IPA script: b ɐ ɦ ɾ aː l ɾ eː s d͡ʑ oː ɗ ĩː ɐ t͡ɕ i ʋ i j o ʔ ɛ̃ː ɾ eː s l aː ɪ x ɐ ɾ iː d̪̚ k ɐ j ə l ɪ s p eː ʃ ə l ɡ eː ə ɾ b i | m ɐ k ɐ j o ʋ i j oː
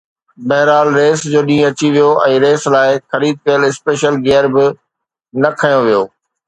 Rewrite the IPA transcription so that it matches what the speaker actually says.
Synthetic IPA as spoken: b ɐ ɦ ɾ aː l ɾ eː s d͡ʑ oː ɗ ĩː ɐ t͡ɕ i ʋ i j o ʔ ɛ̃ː ɾ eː s l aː ɪ x ɐ ɾ iː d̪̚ k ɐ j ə l ɪ s p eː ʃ ə l ɡ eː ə ɾ b ɪ | n ɐ kʰ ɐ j o ʋ i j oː